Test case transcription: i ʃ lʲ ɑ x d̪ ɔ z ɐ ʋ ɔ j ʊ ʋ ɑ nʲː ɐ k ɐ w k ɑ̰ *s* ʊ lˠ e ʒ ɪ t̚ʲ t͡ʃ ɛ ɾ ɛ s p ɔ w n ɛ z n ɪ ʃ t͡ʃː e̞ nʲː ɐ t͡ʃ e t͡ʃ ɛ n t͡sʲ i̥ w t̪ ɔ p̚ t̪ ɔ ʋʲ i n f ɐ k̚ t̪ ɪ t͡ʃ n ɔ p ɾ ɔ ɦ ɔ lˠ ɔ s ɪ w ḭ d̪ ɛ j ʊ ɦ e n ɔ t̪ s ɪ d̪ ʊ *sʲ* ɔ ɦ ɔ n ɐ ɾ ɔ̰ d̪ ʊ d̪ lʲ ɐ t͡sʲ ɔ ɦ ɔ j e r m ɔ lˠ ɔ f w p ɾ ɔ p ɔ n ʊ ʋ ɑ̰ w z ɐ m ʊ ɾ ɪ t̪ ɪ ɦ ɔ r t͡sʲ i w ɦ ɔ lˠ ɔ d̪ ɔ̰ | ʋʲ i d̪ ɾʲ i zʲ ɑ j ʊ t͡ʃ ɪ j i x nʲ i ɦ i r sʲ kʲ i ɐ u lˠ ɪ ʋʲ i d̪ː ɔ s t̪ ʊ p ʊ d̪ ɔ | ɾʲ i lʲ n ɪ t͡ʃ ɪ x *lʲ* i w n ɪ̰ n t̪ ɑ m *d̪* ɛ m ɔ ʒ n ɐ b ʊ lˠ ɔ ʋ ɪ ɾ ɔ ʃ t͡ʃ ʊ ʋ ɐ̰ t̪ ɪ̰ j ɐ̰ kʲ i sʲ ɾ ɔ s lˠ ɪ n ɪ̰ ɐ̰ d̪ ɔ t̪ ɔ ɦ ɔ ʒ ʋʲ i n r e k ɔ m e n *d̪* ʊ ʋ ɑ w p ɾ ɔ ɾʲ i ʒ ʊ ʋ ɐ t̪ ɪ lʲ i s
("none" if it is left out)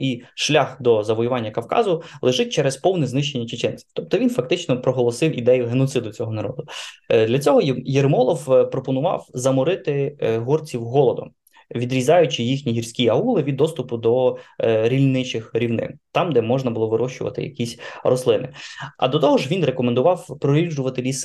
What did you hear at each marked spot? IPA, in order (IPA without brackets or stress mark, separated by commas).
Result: z, t͡sʲ, ɾʲ, d̪, d̪